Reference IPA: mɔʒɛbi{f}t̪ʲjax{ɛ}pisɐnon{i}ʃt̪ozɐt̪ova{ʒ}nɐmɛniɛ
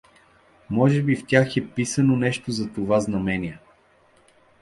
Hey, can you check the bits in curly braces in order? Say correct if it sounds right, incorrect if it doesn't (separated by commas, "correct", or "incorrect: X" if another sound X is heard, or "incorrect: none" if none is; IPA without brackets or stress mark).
correct, correct, incorrect: ɛ, incorrect: z